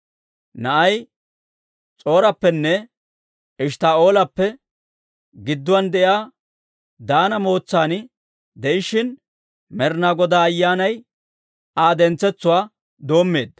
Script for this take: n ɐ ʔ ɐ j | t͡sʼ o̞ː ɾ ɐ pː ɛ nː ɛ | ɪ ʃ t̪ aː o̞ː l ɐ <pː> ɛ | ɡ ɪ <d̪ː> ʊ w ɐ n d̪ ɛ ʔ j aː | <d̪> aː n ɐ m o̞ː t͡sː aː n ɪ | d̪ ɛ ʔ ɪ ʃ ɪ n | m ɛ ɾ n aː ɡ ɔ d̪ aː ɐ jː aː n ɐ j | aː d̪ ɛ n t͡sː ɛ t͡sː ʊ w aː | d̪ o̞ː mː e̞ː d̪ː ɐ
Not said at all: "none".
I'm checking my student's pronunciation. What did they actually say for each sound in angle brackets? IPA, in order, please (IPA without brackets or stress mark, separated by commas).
pː, d̪ː, d̪